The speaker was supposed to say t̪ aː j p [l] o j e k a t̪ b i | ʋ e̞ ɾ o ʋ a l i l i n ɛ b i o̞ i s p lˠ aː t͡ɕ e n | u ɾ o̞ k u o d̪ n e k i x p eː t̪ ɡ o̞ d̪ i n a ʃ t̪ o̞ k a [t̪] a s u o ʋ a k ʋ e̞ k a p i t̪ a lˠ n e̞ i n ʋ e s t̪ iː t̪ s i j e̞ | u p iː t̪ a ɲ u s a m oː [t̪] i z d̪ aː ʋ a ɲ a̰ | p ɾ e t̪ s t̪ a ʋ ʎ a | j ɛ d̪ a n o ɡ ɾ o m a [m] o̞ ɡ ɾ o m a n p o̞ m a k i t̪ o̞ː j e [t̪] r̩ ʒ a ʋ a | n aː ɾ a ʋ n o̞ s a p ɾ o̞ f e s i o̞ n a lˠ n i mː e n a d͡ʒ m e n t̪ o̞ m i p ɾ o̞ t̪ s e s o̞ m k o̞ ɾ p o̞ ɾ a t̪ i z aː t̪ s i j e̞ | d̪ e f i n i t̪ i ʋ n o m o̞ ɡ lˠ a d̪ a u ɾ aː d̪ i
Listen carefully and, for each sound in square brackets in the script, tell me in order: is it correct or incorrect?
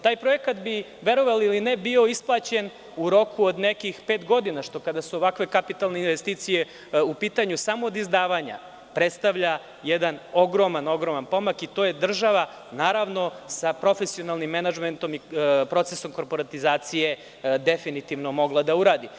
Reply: incorrect: ɾ, incorrect: d̪, incorrect: d̪, incorrect: n, incorrect: d̪

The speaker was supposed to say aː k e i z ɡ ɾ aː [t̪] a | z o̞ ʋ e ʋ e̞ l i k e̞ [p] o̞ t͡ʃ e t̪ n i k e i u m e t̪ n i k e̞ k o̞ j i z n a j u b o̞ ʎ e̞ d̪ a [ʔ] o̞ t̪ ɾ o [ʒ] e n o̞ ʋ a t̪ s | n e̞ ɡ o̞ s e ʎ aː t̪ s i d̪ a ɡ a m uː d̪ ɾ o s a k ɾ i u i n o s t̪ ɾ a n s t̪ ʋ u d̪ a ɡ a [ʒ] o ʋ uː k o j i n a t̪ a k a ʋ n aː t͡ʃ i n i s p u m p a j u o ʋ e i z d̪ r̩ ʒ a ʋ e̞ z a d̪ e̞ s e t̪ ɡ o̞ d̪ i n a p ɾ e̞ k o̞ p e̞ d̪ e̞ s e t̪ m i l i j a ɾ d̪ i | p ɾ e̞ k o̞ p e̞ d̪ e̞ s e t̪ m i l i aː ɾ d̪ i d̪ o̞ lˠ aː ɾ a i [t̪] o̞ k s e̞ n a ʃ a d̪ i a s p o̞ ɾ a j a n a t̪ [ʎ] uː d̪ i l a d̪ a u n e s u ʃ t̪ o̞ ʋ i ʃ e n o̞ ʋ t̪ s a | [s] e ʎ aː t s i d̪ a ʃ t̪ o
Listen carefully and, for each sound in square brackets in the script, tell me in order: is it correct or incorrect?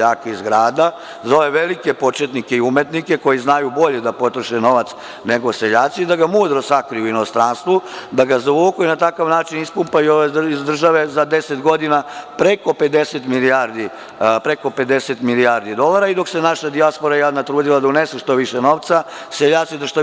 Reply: incorrect: d̪, correct, incorrect: p, incorrect: ʃ, incorrect: z, incorrect: d̪, incorrect: ɾ, correct

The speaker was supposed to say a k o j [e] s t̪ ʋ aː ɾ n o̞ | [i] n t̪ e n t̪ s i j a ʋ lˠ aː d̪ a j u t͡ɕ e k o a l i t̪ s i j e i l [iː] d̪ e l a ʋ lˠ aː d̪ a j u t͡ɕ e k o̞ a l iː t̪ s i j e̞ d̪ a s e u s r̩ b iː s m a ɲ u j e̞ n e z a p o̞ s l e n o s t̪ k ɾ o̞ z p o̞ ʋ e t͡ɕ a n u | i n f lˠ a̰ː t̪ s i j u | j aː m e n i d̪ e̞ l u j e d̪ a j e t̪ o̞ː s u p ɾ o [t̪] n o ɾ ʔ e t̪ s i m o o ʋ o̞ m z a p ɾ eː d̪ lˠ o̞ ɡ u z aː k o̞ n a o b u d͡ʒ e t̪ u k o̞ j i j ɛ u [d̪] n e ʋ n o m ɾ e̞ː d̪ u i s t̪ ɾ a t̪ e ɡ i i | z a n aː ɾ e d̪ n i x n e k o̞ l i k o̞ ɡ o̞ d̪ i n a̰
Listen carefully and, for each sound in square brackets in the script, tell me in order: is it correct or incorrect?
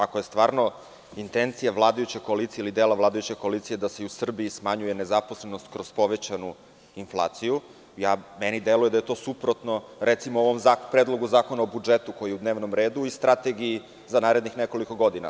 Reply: correct, correct, incorrect: i, correct, correct

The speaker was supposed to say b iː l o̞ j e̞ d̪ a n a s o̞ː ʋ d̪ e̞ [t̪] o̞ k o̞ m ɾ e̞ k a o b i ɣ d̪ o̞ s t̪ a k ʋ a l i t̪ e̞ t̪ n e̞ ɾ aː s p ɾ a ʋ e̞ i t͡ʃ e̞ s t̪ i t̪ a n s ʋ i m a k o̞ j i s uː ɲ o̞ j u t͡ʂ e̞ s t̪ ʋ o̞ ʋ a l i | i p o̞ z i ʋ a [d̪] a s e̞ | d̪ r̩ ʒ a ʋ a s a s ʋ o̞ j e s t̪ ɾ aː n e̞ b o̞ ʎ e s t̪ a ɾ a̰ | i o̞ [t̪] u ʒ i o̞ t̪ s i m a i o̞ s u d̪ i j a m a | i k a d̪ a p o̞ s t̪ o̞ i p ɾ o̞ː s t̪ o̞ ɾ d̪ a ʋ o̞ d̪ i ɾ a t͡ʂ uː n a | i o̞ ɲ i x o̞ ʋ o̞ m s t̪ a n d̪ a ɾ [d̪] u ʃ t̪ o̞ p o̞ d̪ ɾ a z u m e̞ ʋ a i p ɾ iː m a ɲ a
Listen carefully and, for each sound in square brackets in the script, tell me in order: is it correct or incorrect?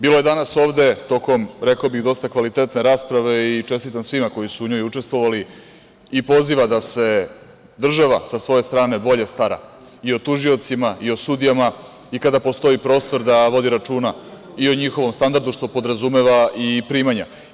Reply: correct, correct, correct, correct

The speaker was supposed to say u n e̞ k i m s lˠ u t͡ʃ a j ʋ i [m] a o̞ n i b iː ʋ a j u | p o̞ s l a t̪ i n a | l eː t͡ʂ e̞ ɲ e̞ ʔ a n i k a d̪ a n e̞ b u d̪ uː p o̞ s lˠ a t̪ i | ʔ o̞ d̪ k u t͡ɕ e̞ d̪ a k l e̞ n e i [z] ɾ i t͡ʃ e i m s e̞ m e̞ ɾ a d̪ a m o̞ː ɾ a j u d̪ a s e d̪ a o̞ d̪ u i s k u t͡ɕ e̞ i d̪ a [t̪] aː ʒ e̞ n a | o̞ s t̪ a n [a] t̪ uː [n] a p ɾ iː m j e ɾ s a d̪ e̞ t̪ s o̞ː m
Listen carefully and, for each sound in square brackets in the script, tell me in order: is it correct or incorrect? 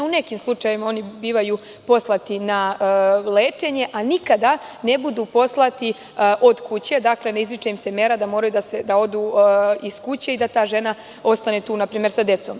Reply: correct, correct, correct, incorrect: e, correct

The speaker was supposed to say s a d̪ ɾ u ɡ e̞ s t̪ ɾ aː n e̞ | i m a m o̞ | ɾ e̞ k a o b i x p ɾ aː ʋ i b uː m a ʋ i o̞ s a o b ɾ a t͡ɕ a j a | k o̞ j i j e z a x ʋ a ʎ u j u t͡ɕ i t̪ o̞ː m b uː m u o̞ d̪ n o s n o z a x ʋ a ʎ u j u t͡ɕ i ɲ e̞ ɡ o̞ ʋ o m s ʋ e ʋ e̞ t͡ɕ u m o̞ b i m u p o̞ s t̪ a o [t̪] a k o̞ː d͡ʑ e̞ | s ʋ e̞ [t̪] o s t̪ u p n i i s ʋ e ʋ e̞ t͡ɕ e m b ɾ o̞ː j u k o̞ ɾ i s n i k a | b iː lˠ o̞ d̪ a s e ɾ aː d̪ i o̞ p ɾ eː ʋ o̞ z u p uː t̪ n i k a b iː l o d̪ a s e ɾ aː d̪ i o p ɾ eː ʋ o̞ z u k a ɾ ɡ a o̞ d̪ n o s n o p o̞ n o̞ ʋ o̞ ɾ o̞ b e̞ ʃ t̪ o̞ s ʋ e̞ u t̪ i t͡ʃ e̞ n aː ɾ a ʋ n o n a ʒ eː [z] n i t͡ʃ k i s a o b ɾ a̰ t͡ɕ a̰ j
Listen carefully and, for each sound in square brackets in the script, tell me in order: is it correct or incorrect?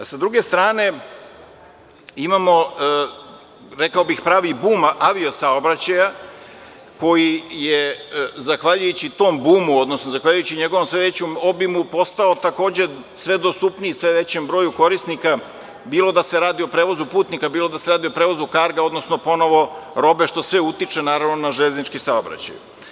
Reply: correct, incorrect: d̪, correct

